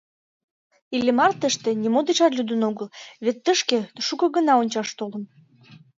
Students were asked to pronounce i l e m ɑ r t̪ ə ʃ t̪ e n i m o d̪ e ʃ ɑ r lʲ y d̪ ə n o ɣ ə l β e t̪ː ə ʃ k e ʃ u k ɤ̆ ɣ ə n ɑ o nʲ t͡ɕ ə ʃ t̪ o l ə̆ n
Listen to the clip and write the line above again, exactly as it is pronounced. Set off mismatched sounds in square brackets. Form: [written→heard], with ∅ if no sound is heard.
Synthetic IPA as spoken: i l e m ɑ r t̪ ə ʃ t̪ e n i m o d̪ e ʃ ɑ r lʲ y d̪ ə n o ɣ ə l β e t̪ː ə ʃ k e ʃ u k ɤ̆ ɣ ə n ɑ o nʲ t͡ɕ [ə→ɑ] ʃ t̪ o l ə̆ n